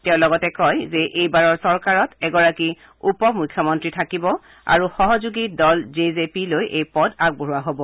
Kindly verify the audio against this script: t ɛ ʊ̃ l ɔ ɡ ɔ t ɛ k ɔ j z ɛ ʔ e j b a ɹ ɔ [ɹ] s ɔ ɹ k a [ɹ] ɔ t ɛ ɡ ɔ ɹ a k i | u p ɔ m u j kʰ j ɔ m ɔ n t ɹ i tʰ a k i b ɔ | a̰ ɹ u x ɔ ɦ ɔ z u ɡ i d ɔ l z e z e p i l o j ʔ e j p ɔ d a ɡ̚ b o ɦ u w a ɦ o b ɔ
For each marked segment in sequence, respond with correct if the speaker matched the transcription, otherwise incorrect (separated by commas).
correct, correct